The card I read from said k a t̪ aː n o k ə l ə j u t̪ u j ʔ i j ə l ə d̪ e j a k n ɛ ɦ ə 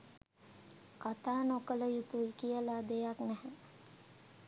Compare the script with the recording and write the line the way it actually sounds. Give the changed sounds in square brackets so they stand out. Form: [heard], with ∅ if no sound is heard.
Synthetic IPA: k a t̪ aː n o k ə l ə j u t̪ u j [k] i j ə l [a] d̪ e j a k n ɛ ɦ ə